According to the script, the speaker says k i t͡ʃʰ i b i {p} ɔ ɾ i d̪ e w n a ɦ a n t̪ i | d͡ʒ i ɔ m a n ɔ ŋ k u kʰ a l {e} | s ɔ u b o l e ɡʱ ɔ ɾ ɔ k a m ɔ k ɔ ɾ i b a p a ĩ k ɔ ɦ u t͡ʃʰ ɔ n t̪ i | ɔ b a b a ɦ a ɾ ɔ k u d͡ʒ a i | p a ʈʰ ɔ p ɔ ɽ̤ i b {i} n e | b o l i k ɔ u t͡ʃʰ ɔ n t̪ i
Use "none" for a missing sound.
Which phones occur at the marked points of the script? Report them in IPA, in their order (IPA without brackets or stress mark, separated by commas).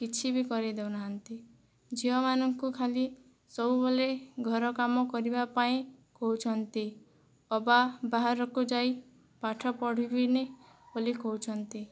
k, i, i